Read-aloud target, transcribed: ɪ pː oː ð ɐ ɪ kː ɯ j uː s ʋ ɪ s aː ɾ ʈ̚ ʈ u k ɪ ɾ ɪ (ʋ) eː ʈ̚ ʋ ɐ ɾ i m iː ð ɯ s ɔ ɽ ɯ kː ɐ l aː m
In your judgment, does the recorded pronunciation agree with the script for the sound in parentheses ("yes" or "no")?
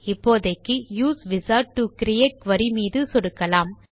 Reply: no